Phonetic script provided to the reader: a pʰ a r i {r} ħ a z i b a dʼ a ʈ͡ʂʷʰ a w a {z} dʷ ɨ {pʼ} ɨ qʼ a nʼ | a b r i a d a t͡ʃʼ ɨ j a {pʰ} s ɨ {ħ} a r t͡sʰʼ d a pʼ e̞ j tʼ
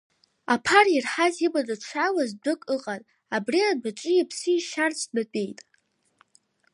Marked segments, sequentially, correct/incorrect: correct, correct, incorrect, correct, incorrect

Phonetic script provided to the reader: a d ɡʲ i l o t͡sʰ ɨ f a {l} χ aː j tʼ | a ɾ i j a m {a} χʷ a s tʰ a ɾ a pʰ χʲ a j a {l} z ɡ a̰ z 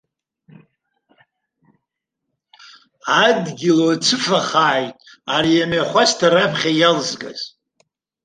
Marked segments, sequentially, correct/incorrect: incorrect, correct, correct

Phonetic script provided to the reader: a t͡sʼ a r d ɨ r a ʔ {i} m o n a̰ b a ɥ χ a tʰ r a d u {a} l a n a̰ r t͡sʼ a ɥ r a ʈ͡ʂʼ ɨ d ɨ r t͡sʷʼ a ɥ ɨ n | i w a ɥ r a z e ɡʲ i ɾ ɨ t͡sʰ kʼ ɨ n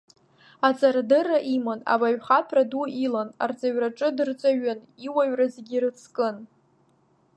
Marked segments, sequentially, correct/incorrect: correct, incorrect

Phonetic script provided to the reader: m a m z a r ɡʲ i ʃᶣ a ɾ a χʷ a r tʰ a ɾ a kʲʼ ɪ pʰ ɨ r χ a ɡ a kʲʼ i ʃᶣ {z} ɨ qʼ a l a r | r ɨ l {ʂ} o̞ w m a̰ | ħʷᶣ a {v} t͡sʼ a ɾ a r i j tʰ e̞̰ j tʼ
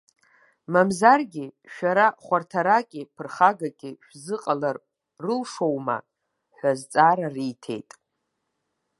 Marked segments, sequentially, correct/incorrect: correct, correct, incorrect

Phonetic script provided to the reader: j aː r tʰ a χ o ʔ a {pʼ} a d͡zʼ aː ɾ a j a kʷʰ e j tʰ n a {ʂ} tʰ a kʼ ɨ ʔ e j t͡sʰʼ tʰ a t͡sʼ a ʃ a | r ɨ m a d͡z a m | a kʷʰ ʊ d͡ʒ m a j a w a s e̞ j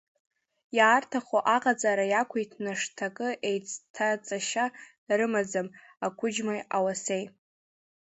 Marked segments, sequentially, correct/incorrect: incorrect, correct

